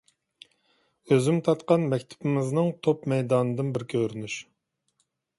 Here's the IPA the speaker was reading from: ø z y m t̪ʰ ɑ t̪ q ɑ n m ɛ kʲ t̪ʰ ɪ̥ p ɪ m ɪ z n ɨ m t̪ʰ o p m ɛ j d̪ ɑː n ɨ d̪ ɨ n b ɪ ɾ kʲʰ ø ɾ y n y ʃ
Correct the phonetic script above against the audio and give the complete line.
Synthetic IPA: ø z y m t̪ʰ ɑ t̪ q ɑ n m ɛ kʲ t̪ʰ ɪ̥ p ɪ m ɪ z n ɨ ŋ t̪ʰ o p m ɛ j d̪ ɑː n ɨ d̪ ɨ n b ɪ ɾ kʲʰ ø ɾ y n y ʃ